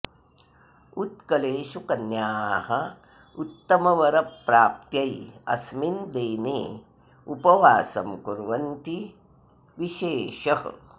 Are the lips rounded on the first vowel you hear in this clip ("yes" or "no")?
yes